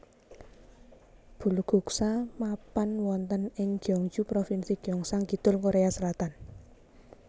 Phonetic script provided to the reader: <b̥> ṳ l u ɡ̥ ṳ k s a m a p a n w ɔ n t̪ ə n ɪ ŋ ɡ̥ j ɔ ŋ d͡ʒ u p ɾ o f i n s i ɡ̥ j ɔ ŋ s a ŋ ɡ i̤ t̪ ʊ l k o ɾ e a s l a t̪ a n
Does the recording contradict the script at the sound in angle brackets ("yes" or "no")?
no